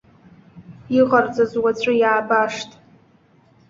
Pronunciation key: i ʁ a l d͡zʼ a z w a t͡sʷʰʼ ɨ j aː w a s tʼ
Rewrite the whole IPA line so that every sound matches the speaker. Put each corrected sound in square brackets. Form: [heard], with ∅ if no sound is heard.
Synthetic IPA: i ʁ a [r] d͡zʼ a z w a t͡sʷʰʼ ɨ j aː [b] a [ʂ] tʼ